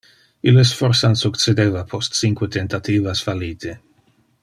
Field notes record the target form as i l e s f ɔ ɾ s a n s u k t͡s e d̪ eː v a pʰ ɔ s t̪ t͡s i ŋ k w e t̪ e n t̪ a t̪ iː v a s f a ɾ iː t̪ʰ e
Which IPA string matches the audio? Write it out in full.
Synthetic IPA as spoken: i l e s f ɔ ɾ s a n s u k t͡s e d̪ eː v a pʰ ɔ s t̪ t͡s i ŋ k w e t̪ e n t̪ a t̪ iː v a s f a l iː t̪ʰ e

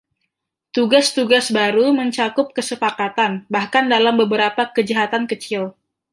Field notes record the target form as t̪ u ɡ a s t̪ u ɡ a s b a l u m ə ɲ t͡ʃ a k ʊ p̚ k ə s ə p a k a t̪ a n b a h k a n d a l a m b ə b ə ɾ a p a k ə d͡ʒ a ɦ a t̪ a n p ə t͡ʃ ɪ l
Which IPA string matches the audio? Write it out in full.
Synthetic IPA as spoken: t̪ u ɡ a s t̪ u ɡ a s b a ɾ u m ə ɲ t͡ʃ a k ʊ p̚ k ə s ə p a k a t̪ a n b a h k a n d a l a m b ə b ə ɾ a p a k ə d͡ʒ a ɦ a t̪ a n k ə t͡ʃ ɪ l

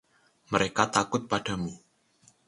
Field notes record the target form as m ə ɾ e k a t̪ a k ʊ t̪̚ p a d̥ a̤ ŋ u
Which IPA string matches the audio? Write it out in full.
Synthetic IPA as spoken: m ə ɾ e k a t̪ a k ʊ t̪̚ p a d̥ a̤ m u

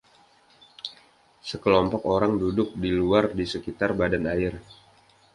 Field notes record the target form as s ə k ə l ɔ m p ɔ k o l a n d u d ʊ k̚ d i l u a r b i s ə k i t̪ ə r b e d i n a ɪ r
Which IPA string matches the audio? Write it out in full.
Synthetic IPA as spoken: s ə k ə l ɔ m p ɔ k o ɾ a ŋ d u d ʊ k̚ d i l u a r d i s ə k i t̪ a r b a d a n a ɪ r

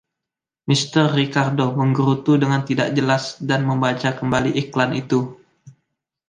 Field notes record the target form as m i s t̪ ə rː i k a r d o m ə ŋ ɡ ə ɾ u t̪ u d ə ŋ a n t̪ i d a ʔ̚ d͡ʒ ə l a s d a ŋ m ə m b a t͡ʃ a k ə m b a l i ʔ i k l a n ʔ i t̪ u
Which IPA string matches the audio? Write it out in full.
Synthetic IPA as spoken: m i s t̪ ə rː i k a r d o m ə ŋ ɡ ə ɾ u t̪ u d ə ŋ a n t̪ i d a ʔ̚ d͡ʒ ə l a s d a n m ə m b a t͡ʃ a k ə m b a l i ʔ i k l a n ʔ i t̪ u

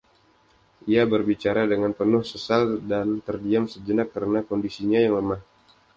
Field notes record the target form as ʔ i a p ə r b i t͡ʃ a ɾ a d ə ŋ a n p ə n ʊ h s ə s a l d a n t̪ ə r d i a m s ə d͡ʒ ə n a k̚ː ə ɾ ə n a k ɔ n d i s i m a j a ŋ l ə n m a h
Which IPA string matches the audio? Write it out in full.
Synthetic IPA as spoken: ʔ i a b ə r b i t͡ʃ a ɾ a d ə ŋ a n p ə n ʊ h s ə s a l d a n t̪ ə r d i a m s ə d͡ʒ ə n a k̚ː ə ɾ ə n a k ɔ n d i s i ɲ a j a ŋ l ə m a h

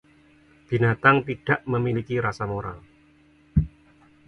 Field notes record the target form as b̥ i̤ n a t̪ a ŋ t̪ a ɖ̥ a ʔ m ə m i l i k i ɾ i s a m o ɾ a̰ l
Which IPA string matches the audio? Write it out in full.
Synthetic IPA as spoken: b̥ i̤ n a t̪ a ŋ t̪ i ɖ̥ a ʔ m ə m i l i k i ɾ a s a m o ɾ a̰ l

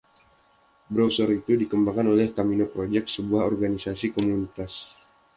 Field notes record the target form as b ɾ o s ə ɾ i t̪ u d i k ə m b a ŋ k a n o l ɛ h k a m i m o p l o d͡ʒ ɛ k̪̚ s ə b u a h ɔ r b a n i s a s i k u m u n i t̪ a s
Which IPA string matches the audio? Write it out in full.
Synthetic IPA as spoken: b ɾ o s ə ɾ i t̪ u d i k ə m b a ŋ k a n o l ɛ h k a m i n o p ɾ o d͡ʒ ɛ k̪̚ s ə b u a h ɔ r ɡ a n i s a s i k o m u n i t̪ a s

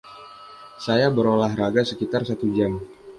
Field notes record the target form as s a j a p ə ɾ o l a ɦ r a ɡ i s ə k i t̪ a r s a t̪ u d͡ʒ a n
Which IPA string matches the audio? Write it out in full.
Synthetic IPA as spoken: s a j a b ə ɾ o l a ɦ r a ɡ a s ə k i t̪ a r s a t̪ u d͡ʒ a m

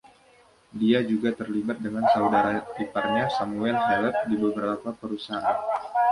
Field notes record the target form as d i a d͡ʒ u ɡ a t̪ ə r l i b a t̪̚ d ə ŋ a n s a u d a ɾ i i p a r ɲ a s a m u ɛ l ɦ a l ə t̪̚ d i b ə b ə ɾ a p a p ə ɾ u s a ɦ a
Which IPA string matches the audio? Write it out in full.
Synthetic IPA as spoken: d i a d͡ʒ u ɡ a t̪ ə r l i b a t̪̚ d ə ŋ a n s a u d a ɾ a i p a r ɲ a s a m u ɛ l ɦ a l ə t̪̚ d i b ə b ə ɾ a p a p ə ɾ u s a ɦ a

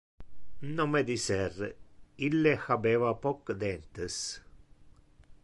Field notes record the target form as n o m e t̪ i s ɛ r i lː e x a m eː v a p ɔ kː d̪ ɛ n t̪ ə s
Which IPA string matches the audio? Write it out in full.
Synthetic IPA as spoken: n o m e d̪ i s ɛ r i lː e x a b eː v a p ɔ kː d̪ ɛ n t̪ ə s

